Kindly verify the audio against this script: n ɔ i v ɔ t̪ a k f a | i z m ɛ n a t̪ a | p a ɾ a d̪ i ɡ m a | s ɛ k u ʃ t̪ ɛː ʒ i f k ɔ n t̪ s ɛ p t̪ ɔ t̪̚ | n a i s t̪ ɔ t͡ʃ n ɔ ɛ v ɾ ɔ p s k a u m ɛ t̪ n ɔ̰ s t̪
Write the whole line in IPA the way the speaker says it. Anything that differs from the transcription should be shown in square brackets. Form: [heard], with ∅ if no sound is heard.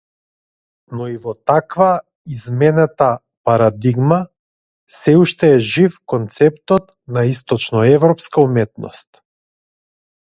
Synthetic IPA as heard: n ɔ i v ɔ t̪ a k [v] a | i z m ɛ n a t̪ a | p a ɾ a d̪ i ɡ m a | s ɛ [∅] u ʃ t̪ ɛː ʒ i f k ɔ n t̪ s ɛ p t̪ ɔ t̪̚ | n a i s t̪ ɔ t͡ʃ n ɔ ɛ v ɾ ɔ p s k a u m ɛ t̪ n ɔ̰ s t̪